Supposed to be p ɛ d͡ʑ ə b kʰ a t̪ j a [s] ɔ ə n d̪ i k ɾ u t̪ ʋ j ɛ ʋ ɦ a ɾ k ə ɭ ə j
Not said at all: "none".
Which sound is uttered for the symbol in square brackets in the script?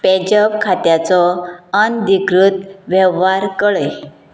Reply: t͡s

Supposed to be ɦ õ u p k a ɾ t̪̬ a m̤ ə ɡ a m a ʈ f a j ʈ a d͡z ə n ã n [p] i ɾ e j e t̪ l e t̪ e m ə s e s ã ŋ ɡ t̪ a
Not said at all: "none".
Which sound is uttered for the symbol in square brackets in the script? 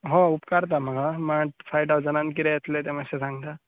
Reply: k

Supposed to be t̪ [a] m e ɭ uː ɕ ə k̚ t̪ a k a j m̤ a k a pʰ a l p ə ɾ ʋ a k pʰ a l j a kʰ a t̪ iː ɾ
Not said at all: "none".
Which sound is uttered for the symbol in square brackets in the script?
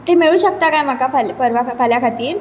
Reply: e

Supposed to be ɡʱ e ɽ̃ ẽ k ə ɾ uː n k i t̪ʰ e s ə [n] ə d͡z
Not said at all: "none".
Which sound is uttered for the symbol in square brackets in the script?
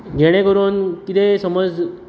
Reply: m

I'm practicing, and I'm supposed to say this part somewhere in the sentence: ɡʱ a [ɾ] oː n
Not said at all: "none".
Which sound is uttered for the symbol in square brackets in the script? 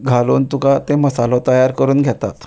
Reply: l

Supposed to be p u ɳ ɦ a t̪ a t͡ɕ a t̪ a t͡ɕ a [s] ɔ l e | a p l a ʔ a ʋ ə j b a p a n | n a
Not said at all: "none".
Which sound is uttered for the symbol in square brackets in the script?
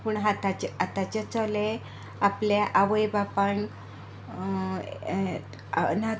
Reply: t͡s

